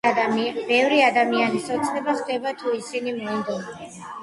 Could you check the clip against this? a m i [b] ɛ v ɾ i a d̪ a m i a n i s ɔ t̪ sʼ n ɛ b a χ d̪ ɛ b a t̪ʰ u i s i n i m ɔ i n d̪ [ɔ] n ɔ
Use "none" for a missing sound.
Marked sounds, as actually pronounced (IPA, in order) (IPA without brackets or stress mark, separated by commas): b, ɔ